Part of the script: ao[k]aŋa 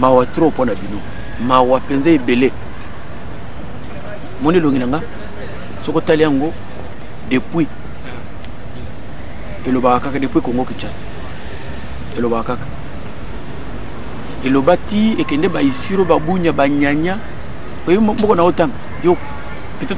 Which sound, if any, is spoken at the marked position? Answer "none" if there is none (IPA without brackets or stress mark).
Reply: t